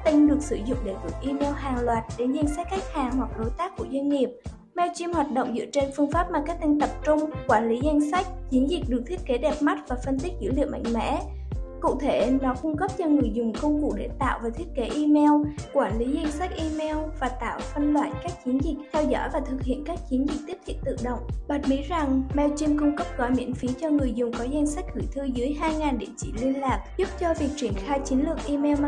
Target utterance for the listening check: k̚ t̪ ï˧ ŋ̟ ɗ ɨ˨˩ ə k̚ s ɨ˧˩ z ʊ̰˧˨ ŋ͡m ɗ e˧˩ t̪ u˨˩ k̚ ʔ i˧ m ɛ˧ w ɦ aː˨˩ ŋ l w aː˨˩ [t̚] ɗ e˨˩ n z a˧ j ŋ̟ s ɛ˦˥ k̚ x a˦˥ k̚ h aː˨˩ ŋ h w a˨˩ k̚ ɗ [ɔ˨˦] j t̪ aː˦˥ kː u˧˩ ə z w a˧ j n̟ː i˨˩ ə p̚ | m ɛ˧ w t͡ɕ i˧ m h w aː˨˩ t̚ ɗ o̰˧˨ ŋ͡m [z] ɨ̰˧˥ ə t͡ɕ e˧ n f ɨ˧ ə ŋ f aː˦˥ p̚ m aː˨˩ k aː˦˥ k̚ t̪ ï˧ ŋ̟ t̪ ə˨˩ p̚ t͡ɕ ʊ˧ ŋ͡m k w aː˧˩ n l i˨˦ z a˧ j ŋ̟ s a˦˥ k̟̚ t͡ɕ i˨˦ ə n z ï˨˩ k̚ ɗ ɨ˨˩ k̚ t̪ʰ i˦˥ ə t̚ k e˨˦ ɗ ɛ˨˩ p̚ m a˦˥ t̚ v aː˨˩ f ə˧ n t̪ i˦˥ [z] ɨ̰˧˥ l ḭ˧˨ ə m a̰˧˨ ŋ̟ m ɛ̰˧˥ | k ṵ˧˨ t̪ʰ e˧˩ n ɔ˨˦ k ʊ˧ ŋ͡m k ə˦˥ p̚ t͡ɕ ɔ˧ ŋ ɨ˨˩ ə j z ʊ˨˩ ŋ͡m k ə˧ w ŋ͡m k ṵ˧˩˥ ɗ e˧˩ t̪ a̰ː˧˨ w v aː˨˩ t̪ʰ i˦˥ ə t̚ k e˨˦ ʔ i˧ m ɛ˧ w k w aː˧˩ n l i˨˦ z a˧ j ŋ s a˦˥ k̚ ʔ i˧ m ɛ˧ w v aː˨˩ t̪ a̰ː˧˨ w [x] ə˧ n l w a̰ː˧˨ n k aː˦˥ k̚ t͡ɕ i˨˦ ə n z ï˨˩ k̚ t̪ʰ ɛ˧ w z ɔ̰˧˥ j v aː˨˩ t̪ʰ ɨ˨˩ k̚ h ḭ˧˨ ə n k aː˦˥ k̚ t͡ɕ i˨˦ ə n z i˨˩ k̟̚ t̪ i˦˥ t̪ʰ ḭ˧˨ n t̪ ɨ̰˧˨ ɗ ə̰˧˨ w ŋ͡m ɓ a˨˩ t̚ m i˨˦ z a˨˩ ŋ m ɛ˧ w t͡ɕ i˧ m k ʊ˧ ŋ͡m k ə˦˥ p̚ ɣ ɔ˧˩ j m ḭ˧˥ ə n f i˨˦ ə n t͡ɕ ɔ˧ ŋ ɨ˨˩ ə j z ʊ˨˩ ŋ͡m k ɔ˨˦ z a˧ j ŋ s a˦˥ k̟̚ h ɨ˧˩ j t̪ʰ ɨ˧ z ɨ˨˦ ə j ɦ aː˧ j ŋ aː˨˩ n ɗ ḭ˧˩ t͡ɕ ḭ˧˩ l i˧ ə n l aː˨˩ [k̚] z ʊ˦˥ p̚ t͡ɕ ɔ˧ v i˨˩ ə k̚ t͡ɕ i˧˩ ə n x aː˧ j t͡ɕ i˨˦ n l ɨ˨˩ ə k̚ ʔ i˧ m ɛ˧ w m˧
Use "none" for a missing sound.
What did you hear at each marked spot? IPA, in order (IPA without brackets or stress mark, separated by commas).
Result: t̚, o˨˦, z, z, f, k̚